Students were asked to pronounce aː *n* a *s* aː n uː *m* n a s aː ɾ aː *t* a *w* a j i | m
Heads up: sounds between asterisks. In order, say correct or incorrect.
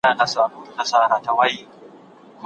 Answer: correct, correct, incorrect, correct, correct

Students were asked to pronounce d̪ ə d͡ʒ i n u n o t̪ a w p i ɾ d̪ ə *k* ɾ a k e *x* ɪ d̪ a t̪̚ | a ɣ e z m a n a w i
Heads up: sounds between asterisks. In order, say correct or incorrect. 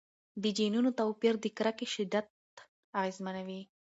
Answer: correct, incorrect

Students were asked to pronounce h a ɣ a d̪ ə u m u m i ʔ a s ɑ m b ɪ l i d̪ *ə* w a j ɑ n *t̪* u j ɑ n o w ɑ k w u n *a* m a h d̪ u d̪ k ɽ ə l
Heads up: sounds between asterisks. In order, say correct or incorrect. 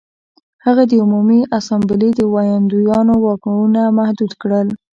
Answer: correct, incorrect, correct

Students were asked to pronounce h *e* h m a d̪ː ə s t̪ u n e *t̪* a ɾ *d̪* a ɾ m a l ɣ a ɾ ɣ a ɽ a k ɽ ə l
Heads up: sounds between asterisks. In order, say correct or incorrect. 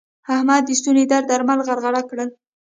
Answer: incorrect, incorrect, correct

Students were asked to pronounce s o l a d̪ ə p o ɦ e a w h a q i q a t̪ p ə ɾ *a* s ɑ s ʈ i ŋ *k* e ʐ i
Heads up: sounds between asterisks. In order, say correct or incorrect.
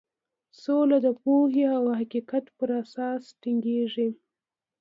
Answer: correct, incorrect

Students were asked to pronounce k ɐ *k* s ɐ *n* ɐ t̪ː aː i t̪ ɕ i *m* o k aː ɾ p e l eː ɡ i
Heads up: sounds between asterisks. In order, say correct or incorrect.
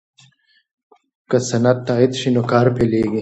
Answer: incorrect, correct, incorrect

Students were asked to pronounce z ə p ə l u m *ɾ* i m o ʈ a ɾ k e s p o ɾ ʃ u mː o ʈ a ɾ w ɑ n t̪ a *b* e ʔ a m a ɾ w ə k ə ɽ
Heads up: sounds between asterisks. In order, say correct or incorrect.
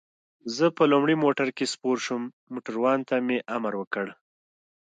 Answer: incorrect, incorrect

